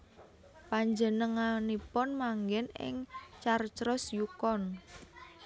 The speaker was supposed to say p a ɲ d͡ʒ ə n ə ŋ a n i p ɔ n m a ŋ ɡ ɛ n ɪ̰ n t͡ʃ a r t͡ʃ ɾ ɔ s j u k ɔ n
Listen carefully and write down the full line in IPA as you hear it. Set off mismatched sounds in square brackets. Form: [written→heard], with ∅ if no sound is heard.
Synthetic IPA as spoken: p a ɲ d͡ʒ ə n ə ŋ a n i p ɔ n m a ŋ ɡ ɛ n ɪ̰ [n→ŋ] t͡ʃ a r t͡ʃ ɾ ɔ s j u k ɔ n